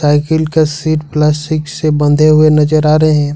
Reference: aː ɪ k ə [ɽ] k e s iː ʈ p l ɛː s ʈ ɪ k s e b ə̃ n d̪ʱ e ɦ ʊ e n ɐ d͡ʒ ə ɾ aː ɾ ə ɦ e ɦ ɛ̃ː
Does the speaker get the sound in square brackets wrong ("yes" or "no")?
yes